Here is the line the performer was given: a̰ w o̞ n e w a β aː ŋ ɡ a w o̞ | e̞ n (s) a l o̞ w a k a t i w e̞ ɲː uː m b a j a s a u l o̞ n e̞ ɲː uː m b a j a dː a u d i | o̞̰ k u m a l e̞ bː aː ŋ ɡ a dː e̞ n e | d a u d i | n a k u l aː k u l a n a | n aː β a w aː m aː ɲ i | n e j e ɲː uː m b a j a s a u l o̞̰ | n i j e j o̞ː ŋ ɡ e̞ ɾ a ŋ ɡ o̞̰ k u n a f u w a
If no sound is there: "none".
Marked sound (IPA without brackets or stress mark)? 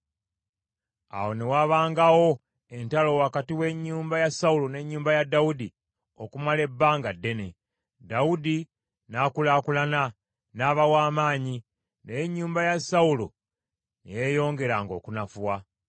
t